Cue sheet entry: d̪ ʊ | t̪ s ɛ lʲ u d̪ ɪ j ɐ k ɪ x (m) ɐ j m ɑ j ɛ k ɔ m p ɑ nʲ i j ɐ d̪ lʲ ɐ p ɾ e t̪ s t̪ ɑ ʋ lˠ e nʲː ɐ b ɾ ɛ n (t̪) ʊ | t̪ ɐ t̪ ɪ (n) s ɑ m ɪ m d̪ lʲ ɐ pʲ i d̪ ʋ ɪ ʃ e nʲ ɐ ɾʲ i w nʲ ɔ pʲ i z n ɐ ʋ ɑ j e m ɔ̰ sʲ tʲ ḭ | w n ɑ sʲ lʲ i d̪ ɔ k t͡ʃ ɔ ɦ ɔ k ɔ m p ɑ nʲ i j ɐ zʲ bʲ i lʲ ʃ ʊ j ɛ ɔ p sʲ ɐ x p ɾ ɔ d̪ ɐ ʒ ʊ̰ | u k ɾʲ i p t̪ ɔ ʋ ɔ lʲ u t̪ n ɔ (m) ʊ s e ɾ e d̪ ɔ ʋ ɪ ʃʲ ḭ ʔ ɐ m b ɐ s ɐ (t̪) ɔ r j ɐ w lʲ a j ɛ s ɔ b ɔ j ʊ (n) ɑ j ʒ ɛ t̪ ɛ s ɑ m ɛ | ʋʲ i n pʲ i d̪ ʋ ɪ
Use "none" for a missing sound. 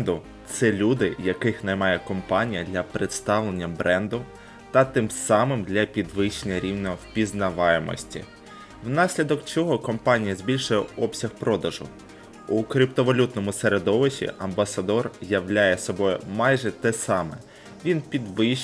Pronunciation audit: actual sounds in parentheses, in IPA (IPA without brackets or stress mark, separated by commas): n, d̪, m, m, d̪, m